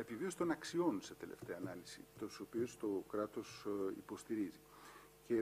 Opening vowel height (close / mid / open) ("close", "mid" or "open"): mid